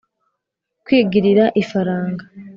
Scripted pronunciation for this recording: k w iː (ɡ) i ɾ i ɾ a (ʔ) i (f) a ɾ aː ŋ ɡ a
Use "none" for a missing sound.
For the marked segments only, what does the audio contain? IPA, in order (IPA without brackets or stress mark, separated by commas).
ɡ, ʔ, f